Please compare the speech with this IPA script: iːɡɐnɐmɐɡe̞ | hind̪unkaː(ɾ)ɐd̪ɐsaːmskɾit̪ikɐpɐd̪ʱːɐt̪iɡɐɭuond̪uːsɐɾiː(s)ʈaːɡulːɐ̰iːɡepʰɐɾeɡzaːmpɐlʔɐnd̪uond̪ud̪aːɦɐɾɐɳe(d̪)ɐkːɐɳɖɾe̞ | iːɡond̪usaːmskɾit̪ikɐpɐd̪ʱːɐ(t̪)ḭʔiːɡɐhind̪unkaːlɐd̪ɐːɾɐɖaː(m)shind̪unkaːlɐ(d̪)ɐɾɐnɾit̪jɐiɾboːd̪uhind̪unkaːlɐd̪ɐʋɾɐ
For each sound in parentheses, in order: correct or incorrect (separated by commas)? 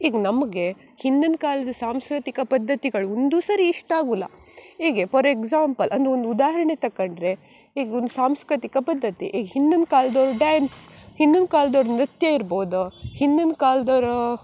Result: incorrect, incorrect, incorrect, correct, incorrect, correct